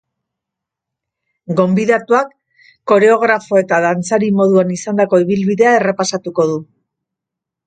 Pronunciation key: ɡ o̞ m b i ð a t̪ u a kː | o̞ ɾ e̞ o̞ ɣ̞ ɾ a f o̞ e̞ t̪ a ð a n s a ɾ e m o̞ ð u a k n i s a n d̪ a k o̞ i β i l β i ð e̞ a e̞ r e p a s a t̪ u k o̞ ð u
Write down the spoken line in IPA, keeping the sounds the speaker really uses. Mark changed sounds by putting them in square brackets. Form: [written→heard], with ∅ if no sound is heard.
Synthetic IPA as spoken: ɡ o̞ m b i ð a t̪ u a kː | o̞ ɾ e̞ o̞ ɣ̞ ɾ a f o̞ e̞ t̪ a ð a n [s→t͡s] a ɾ [e→i] m o̞ ð u a [k→∅] n i s a n d̪ a k o̞ i β i l β i ð e̞ a e̞ r e p a s a t̪ u k o̞ ð u